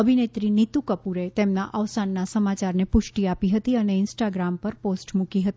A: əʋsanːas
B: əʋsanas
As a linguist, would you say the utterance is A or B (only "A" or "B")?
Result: A